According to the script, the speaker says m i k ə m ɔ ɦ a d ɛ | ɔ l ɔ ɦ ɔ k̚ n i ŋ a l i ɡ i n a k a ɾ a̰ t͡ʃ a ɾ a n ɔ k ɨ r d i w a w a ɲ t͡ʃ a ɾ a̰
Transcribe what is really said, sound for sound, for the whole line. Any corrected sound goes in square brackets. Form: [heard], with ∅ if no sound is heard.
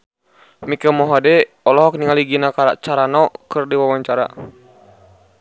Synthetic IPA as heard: m i k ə m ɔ ɦ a d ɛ | ɔ l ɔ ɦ ɔ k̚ n i ŋ a l i ɡ i n a k a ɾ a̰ t͡ʃ a ɾ a n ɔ k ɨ r d i w a w a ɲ t͡ʃ a ɾ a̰

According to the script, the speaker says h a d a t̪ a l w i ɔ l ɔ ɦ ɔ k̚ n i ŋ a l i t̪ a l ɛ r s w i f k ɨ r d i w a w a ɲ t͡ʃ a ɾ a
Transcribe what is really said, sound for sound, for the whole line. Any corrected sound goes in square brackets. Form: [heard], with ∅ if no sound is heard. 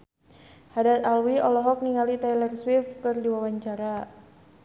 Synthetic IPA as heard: h a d a t̪ a l w i ɔ l ɔ ɦ ɔ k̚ n i ŋ a l i t̪ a l ɛ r s w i f k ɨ r d i w a w a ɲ t͡ʃ a ɾ a

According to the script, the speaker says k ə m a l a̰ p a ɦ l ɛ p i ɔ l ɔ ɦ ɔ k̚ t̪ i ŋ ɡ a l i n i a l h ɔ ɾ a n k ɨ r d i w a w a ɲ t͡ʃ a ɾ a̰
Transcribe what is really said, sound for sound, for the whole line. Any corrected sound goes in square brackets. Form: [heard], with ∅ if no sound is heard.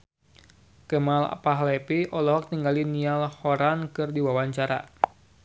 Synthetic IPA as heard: k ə m a l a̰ p a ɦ l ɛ p i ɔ l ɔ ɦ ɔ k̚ t̪ i ŋ ɡ a l i n i a l h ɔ ɾ a n k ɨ r d i w a w a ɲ t͡ʃ a ɾ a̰

